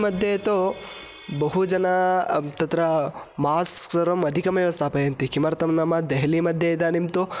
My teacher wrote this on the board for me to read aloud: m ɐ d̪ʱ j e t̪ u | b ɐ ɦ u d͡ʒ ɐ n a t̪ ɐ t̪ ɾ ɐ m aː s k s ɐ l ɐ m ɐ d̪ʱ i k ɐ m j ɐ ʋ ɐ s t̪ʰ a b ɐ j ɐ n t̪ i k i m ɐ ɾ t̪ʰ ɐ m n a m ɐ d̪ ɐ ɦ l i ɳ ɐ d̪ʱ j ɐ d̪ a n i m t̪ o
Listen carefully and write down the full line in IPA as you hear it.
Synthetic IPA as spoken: m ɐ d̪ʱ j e t̪ o | b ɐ ɦ u d͡ʒ ɐ n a t̪ ɐ t̪ ɾ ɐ m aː s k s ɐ ɾ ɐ m ɐ d̪ʱ i k ɐ m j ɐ ʋ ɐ s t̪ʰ a p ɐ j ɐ n t̪ i k i m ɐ ɾ t̪ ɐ m n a m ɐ d̪ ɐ ɦ l i m ɐ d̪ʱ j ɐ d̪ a n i m t̪ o